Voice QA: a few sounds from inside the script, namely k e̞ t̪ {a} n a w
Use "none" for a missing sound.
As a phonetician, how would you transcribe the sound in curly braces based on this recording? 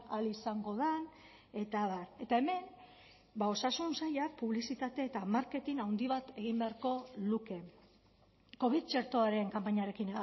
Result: i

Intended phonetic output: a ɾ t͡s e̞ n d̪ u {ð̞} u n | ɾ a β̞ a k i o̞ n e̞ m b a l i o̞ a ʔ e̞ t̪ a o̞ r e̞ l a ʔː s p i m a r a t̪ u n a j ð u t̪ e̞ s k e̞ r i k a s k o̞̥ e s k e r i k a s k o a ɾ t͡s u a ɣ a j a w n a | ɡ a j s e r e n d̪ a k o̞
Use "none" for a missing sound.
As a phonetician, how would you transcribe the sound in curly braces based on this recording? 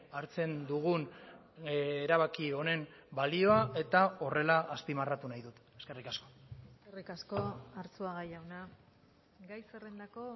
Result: ɣ̞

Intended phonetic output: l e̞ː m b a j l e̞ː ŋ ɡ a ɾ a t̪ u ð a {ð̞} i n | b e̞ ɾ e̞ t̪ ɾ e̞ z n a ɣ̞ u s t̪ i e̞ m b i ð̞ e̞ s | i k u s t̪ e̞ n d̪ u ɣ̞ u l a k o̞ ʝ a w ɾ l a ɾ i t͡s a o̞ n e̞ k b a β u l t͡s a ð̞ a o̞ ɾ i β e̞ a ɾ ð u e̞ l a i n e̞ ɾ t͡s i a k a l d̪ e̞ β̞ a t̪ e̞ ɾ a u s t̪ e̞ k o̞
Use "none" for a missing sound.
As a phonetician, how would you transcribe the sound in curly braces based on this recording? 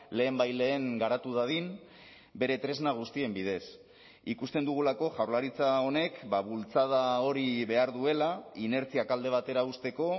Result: ð̞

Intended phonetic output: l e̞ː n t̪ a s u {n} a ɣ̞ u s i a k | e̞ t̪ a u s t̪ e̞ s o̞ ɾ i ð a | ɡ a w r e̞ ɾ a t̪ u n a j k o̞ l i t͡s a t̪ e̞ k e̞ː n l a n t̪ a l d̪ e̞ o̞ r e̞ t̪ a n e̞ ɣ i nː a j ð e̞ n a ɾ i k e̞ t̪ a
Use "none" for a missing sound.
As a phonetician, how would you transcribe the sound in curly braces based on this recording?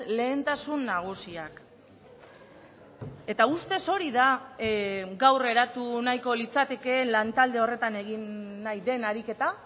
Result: nː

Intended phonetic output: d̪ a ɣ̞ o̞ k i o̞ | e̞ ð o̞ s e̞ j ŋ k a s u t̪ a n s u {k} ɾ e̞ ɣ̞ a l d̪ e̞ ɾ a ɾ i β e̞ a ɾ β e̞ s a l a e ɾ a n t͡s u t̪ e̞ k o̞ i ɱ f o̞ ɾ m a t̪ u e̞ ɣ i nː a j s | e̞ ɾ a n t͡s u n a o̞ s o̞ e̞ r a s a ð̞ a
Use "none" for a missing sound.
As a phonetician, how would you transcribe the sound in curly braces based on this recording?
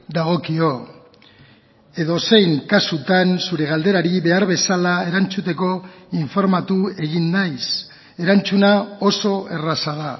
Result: none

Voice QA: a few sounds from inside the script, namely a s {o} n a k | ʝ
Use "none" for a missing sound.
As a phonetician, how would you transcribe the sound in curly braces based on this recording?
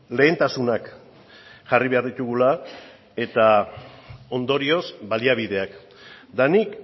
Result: u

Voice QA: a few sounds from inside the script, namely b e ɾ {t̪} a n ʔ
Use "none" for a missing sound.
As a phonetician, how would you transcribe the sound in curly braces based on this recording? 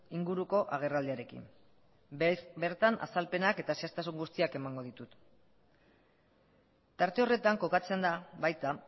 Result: t̪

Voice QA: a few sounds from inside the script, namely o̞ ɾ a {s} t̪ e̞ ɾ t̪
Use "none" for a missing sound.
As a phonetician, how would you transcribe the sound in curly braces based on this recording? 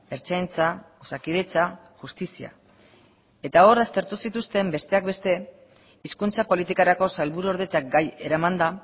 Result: s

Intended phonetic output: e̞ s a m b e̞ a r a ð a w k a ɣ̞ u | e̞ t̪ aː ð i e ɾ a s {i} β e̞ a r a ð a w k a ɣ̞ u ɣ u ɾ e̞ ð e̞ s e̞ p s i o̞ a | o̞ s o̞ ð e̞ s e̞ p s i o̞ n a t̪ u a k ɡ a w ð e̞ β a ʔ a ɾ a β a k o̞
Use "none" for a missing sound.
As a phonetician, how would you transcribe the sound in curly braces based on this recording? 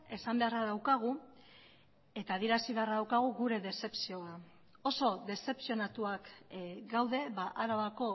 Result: i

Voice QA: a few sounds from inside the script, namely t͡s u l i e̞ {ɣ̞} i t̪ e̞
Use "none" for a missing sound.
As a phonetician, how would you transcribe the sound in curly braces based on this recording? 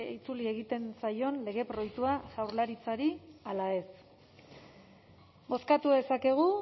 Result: ɣ̞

